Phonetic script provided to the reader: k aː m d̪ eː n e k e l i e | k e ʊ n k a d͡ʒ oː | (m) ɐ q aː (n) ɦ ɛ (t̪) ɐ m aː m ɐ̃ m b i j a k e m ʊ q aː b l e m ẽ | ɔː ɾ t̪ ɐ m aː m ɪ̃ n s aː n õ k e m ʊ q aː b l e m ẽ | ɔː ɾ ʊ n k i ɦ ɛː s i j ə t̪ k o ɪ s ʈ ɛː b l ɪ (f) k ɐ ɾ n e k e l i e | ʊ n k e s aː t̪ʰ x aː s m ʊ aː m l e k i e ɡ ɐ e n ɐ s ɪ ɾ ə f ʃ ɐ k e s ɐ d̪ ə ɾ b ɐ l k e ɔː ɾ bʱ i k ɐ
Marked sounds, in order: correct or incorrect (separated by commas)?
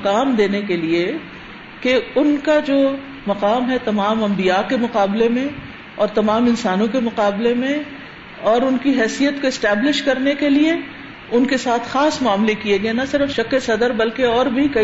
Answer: correct, incorrect, correct, incorrect